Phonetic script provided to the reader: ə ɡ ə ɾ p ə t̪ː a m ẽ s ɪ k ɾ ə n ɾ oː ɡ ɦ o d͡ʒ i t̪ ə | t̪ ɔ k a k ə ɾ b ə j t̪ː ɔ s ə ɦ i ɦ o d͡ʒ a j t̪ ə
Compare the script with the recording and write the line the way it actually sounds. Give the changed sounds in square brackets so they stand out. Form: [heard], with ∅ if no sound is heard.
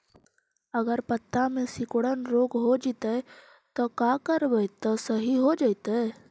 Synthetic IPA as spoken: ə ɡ ə ɾ p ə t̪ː a m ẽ s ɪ k [ɽ] ə n ɾ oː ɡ ɦ o d͡ʒ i t̪ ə | t̪ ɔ k a k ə ɾ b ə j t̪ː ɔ s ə ɦ i ɦ o d͡ʒ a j t̪ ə